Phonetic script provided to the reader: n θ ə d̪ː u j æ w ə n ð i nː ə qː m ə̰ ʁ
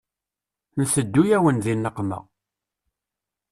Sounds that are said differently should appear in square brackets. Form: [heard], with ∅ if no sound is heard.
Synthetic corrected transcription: n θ ə d̪ː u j æ w ə n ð i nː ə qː m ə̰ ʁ